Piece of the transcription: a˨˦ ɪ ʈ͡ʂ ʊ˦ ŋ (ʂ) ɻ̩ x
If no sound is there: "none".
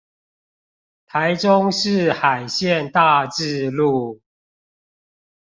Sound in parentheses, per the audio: ʂ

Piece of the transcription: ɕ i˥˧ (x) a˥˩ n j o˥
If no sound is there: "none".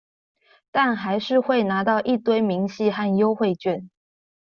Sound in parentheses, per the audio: x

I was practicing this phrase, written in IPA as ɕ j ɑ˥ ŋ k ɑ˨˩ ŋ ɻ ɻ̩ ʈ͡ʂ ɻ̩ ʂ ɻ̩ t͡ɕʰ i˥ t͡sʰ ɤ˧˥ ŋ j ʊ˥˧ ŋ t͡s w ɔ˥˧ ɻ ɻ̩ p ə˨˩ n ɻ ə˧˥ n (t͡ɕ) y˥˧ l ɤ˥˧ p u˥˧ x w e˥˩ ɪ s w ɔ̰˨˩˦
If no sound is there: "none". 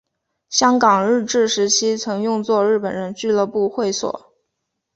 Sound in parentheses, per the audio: t͡ɕ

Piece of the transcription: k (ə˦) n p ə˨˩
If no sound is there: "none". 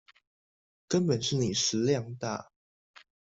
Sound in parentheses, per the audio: ə˦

